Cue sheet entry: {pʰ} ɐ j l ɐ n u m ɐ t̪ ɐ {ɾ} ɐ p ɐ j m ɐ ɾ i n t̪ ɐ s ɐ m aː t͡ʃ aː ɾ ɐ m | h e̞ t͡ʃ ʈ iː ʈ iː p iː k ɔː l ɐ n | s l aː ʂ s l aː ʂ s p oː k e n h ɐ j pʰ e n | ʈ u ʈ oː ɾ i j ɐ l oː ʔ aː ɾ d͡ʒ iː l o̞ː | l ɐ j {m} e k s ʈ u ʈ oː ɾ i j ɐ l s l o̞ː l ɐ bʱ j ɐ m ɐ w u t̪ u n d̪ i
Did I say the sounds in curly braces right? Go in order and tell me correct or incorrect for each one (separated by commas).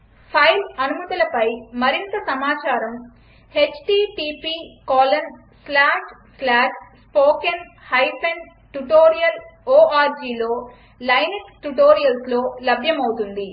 correct, incorrect, incorrect